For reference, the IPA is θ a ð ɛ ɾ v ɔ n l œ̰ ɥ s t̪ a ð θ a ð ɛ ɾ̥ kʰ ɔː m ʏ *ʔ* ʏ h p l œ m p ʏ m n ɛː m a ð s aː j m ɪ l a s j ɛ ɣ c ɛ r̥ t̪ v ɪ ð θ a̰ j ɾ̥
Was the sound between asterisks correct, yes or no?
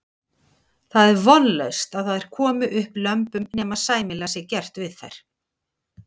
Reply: yes